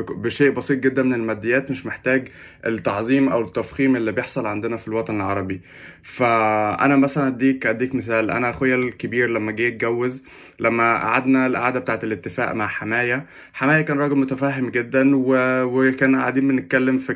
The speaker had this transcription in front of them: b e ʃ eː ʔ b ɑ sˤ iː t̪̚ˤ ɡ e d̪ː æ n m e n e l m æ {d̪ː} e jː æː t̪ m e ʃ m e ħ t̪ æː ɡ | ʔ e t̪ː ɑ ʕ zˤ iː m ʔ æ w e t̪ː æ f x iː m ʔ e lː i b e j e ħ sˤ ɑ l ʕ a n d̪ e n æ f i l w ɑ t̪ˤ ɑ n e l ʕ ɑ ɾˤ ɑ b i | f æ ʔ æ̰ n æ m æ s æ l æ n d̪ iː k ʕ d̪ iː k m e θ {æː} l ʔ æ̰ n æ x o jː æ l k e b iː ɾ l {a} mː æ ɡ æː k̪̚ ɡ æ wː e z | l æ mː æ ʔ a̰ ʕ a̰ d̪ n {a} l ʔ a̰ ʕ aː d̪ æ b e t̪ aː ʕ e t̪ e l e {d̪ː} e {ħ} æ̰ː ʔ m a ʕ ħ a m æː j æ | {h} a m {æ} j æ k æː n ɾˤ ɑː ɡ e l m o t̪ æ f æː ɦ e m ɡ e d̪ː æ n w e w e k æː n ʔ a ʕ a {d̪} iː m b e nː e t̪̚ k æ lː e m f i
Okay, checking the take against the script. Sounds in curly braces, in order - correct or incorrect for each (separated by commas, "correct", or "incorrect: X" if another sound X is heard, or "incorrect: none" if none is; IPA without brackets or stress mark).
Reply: correct, correct, incorrect: æ, incorrect: æ, incorrect: t̪ː, incorrect: f, incorrect: ħ, incorrect: æː, correct